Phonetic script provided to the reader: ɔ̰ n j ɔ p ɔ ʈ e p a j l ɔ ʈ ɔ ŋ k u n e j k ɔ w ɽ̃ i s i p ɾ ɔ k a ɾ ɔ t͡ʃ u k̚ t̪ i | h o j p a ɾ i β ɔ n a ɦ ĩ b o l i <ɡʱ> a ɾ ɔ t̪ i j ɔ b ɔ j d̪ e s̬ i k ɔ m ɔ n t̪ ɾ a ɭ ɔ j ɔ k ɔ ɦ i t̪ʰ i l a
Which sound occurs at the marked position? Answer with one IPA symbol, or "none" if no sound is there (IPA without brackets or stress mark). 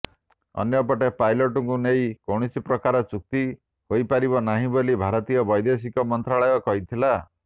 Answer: bʱ